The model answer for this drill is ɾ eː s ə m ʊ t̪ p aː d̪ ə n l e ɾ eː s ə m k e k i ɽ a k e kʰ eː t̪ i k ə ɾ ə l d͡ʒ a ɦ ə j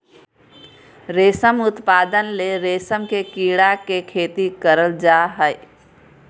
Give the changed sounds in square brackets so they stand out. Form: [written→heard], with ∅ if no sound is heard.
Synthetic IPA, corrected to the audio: ɾ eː s ə m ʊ t̪ p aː d̪ ə n l e ɾ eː s ə m k e k i ɽ a k e kʰ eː t̪ i k ə ɾ ə l d͡ʒ a ɦ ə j